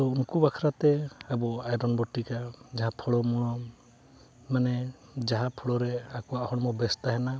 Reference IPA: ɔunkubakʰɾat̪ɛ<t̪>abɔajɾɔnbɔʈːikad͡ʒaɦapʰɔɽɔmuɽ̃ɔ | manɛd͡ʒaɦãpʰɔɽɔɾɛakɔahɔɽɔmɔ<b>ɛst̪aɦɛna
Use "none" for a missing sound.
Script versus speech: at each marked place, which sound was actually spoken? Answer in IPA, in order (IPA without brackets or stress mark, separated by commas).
none, b